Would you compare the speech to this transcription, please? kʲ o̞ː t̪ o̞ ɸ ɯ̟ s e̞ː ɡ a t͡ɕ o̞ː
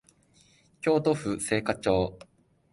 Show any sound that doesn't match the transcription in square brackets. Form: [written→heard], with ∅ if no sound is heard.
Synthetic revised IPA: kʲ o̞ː t̪ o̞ ɸ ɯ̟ s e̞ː [ɡ→k] a t͡ɕ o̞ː